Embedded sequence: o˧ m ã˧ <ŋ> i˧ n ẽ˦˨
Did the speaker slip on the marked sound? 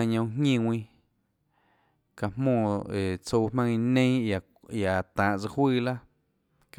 no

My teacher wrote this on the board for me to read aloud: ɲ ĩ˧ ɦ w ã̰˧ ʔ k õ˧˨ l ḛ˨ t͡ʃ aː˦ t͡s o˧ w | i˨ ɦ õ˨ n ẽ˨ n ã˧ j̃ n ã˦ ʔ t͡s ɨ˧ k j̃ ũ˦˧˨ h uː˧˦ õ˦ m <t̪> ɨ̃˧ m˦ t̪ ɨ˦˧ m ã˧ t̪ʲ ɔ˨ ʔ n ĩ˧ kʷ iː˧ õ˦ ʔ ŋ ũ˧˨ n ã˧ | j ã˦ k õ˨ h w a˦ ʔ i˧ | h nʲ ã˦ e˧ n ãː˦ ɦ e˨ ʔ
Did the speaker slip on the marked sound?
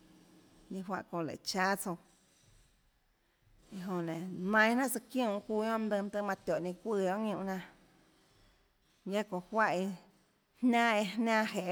yes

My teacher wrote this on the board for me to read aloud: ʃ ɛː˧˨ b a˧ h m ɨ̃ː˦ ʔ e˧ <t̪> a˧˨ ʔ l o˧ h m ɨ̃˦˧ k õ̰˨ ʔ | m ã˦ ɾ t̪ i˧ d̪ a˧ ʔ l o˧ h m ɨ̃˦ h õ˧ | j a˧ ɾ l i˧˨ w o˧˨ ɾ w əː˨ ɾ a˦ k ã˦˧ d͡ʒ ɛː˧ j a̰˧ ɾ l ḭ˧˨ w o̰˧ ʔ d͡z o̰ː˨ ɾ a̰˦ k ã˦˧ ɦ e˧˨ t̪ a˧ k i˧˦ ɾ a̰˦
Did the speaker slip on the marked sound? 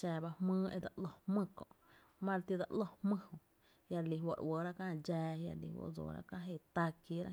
yes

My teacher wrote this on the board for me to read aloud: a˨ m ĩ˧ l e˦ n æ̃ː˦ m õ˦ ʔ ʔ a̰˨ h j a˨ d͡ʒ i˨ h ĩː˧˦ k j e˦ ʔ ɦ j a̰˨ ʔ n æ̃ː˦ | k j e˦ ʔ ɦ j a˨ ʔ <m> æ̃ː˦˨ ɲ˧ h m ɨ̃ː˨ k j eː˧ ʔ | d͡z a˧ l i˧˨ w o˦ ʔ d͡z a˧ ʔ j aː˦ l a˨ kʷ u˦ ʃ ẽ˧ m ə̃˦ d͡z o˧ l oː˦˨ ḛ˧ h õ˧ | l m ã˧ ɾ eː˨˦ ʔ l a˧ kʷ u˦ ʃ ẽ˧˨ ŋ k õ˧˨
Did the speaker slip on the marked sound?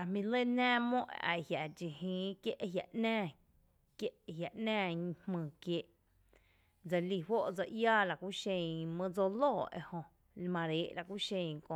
yes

